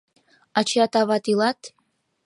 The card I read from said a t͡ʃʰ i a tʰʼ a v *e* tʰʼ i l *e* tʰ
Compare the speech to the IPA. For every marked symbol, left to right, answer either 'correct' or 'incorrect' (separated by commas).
incorrect, incorrect